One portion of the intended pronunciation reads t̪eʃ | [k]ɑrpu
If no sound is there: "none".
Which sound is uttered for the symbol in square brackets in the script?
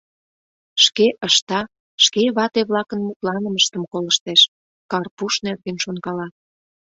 k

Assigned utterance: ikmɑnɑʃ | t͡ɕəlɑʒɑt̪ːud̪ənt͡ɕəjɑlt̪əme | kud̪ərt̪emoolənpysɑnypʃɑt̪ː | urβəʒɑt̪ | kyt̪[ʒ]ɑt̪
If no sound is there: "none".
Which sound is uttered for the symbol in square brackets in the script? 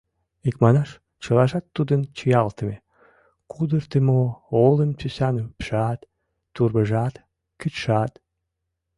ʃ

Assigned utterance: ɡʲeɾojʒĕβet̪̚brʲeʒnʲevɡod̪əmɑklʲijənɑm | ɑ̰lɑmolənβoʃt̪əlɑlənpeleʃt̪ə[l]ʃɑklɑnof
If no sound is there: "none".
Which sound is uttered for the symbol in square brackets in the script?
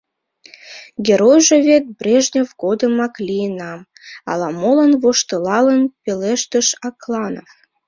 none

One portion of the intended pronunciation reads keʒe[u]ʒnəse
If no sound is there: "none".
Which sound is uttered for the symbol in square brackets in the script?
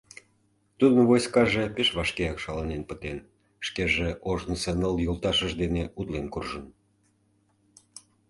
o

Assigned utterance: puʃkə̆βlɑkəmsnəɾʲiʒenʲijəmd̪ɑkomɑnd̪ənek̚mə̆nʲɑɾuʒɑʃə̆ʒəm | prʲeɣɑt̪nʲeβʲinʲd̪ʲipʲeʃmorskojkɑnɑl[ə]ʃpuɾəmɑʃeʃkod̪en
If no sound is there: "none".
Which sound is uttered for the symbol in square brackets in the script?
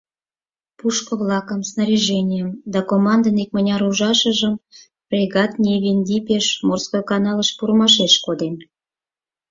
ə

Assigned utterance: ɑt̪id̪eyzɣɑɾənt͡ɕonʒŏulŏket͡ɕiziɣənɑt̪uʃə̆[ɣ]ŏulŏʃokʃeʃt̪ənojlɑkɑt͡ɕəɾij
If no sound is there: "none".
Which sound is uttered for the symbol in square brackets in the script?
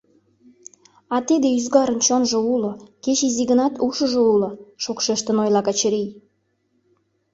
ʒ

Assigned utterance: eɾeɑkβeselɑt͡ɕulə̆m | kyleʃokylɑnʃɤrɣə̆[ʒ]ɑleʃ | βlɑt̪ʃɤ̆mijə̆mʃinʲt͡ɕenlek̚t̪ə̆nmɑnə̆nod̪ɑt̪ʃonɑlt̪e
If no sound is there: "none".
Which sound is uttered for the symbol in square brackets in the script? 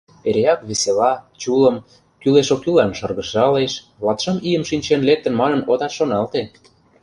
ʃ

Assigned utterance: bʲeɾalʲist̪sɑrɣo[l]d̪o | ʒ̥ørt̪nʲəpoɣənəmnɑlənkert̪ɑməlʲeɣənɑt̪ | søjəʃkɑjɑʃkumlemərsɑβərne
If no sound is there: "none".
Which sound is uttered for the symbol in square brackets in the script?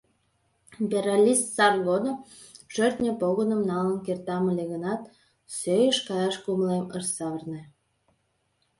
none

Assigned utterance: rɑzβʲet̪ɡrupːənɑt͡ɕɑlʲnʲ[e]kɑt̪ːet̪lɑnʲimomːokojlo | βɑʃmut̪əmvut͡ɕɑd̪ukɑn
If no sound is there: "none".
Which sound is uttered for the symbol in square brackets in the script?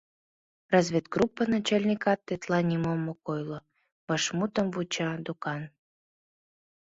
i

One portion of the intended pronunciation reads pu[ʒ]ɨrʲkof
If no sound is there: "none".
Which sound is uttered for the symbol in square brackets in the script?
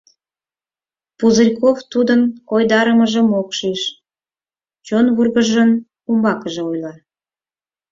z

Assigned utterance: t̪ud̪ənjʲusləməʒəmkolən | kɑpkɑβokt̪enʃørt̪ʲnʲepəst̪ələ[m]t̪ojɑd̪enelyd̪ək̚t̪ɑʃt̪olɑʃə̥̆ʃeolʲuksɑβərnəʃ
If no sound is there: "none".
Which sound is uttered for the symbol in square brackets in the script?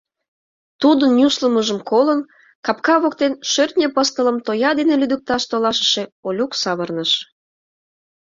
m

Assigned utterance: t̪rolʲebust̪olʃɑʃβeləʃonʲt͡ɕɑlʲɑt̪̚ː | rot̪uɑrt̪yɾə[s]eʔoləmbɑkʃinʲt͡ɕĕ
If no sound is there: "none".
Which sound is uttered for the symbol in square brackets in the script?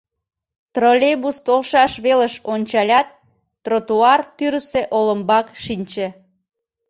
s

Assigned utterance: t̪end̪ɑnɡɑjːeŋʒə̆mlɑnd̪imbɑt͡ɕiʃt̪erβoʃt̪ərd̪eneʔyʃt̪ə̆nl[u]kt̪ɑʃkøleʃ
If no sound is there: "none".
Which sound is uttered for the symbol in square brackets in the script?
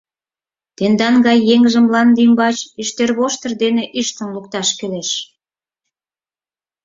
u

